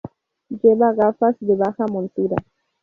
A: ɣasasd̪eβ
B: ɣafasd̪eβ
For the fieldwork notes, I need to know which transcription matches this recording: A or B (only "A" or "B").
B